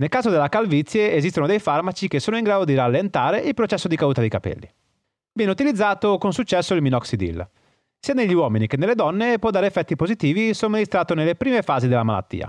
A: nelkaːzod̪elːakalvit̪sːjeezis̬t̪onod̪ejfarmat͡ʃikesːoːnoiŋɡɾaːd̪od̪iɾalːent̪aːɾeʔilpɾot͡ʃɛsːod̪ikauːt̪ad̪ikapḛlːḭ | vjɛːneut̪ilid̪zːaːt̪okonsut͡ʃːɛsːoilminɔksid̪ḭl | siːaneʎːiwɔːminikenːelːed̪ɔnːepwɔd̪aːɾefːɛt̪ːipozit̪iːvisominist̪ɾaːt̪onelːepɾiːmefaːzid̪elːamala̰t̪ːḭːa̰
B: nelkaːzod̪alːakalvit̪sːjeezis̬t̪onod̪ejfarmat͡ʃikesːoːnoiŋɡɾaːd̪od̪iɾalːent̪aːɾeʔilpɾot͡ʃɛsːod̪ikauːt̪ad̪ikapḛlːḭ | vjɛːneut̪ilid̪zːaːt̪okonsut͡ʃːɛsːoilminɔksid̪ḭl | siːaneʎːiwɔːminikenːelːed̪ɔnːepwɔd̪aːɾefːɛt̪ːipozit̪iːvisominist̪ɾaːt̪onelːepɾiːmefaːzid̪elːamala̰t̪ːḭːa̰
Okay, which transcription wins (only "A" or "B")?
A